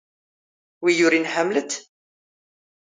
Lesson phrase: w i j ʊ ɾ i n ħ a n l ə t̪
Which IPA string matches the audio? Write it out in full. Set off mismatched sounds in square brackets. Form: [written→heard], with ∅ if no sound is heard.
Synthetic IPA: w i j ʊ ɾ i n ħ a [n→m] l ə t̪

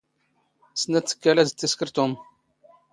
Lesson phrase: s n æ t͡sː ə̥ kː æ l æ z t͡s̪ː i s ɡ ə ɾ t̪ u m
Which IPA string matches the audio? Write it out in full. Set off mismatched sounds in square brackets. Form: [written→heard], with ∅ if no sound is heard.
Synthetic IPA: s n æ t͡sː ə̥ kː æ l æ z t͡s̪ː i s [ɡ→k] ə ɾ t̪ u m

